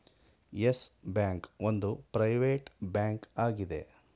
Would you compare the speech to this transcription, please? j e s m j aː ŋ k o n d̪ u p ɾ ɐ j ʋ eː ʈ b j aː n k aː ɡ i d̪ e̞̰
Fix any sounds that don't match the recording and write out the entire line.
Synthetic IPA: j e s b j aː ŋ k o n d̪ u p ɾ ɐ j ʋ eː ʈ b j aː ŋ k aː ɡ i d̪ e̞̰